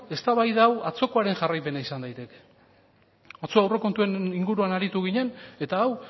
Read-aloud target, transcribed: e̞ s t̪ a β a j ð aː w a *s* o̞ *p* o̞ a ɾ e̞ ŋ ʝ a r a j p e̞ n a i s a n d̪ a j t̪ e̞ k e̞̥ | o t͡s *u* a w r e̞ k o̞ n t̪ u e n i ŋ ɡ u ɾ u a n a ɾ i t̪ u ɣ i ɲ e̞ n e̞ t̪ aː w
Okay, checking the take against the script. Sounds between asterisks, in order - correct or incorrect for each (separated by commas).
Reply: incorrect, incorrect, incorrect